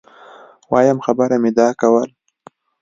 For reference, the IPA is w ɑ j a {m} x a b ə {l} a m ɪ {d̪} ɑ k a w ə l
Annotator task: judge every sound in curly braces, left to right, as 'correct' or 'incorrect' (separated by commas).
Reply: correct, incorrect, correct